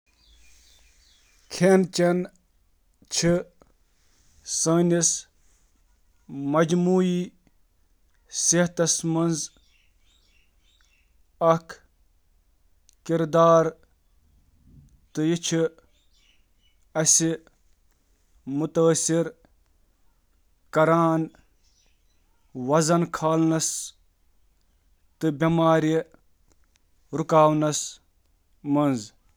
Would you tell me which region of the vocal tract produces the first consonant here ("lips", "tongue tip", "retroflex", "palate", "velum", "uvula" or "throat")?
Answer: velum